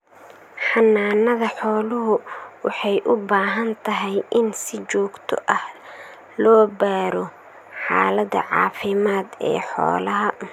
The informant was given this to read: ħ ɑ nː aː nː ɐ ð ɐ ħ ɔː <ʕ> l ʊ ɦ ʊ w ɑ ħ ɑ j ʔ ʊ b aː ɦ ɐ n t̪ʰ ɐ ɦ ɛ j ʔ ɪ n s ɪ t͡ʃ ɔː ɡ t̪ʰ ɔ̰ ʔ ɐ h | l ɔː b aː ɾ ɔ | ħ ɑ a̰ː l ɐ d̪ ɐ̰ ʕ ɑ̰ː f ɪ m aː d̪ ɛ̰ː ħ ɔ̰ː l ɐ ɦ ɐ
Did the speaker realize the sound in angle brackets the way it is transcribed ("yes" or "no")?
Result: no